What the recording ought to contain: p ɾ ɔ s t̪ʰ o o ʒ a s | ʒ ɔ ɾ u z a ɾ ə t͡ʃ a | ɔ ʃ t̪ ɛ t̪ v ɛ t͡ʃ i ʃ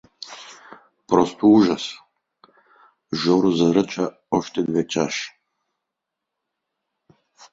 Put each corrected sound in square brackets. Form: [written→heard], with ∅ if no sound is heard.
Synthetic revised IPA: p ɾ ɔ s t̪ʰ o [o→u] ʒ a s | ʒ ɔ ɾ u z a ɾ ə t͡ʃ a | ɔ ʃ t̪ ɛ [t̪→d̪] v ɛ t͡ʃ [i→a] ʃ